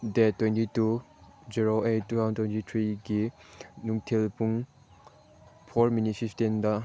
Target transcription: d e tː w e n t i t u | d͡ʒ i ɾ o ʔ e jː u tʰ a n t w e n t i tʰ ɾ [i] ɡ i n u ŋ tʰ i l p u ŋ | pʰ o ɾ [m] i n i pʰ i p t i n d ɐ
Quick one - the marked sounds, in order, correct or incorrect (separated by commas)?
correct, correct